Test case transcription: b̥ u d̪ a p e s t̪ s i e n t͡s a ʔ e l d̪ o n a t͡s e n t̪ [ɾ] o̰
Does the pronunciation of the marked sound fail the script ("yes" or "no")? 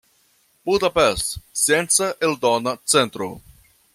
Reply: no